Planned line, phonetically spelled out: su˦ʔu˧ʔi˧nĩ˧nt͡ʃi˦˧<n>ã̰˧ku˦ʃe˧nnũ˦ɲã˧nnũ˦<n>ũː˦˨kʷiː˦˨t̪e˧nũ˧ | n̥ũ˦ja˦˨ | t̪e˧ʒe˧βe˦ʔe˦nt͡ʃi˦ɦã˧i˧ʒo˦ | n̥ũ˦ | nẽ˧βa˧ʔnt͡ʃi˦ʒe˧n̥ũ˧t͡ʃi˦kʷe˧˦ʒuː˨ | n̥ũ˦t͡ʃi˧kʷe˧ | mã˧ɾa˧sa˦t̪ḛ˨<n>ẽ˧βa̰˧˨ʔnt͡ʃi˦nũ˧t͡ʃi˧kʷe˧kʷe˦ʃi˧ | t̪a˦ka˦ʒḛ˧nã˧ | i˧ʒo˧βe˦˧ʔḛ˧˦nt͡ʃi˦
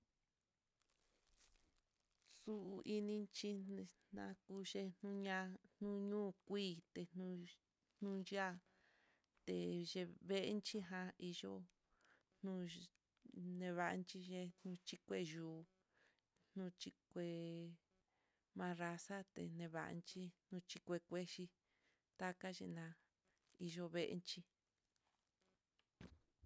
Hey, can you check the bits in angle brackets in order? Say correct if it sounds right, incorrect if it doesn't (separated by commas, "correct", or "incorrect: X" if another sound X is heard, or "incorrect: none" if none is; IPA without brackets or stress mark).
correct, incorrect: ɲ, correct